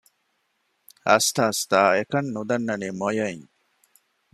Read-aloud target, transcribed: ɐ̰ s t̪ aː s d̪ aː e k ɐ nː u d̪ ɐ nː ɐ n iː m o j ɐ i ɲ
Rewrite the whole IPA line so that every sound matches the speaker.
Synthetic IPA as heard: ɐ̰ s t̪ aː s t̪ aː e k ɐ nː u d̪ ɐ nː ɐ n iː m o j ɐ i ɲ